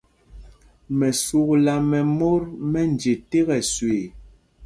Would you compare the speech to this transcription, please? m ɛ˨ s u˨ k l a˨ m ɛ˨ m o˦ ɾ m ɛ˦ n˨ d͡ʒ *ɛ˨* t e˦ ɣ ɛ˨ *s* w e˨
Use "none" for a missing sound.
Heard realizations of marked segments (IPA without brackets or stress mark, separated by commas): e˨, s